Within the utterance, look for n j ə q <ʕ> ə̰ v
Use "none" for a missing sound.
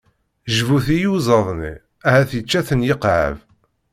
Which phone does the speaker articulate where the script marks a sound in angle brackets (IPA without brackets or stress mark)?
ʕ